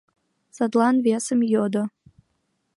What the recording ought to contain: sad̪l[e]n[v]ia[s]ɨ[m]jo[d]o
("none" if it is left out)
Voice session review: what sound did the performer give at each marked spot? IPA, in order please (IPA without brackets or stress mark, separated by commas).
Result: a, v, s, m, d